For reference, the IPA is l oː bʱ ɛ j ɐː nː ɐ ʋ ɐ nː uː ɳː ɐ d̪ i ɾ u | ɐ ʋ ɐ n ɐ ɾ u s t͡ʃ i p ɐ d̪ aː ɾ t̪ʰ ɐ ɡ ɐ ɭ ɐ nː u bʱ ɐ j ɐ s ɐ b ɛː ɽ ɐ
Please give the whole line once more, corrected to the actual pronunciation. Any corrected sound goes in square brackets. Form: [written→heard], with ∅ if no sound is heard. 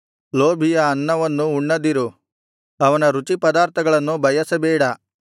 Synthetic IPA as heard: l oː bʱ [ɛ→i] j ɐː nː ɐ ʋ ɐ nː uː ɳː ɐ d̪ i ɾ u | ɐ ʋ ɐ n ɐ ɾ u [s→∅] t͡ʃ i p ɐ d̪ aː ɾ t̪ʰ ɐ ɡ ɐ ɭ ɐ nː u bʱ ɐ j ɐ s ɐ b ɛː ɽ ɐ

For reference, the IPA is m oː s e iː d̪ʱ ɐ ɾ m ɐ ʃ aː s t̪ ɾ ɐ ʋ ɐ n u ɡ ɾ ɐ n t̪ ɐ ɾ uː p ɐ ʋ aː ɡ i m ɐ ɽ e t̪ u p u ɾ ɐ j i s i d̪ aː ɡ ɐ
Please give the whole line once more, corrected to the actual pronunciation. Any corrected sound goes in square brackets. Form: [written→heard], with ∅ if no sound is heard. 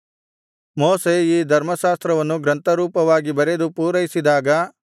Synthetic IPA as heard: m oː s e iː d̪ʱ ɐ ɾ m ɐ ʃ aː s t̪ ɾ ɐ ʋ ɐ [n→nː] u ɡ ɾ ɐ n t̪ ɐ ɾ uː p ɐ ʋ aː ɡ i [m→b] ɐ [ɽ→ɾ] e [t̪→d̪] u p [u→uː] ɾ ɐ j i s i d̪ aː ɡ ɐ

